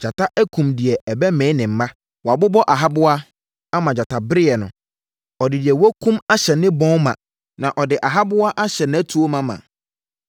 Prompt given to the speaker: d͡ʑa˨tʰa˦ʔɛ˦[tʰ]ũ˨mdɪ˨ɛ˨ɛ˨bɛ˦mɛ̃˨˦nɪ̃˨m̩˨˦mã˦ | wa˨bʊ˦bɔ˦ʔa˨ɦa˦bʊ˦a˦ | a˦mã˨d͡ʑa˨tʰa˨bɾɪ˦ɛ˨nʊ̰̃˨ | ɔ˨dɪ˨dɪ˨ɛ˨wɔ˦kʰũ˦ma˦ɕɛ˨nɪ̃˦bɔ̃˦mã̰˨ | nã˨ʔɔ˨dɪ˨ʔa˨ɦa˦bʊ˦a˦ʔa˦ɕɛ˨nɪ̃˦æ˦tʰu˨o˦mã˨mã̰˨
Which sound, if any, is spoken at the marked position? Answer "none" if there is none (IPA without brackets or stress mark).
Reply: kʰ